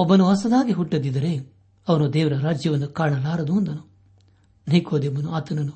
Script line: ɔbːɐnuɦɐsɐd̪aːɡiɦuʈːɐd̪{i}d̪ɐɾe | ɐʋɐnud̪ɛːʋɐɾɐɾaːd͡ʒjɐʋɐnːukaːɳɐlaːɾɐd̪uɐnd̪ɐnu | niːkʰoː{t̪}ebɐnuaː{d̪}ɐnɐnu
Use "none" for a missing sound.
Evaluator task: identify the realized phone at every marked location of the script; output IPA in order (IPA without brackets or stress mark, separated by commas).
i, d̪, t̪